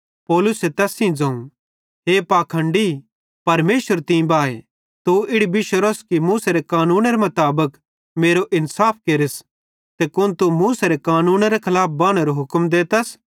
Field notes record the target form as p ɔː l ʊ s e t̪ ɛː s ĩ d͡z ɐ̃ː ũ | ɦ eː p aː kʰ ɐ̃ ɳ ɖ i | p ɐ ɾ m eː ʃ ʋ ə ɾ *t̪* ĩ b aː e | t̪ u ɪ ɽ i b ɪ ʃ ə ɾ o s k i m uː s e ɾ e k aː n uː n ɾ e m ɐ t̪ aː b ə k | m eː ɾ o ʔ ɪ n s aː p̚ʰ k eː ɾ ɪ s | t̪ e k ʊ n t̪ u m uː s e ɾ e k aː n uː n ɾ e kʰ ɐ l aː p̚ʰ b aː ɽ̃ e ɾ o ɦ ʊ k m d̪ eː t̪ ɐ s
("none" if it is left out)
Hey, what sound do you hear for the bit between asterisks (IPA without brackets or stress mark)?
t̪